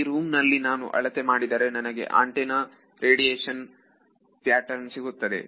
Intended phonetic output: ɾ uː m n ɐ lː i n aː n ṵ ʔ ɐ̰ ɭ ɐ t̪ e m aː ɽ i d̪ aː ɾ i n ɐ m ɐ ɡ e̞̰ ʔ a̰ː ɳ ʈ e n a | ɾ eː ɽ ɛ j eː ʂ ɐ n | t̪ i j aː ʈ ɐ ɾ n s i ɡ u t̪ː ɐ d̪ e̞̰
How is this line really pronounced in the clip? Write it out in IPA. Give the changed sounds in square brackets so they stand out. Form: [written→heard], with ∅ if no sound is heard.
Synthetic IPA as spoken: ɾ uː m n ɐ lː i n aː n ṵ ʔ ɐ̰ ɭ ɐ t̪ e m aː ɽ i d̪ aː ɾ [i→e] n ɐ [m→n] ɐ ɡ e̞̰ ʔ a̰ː ɳ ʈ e n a | ɾ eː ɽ [ɛ→i] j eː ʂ ɐ n | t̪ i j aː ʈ ɐ ɾ n s i ɡ u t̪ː ɐ d̪ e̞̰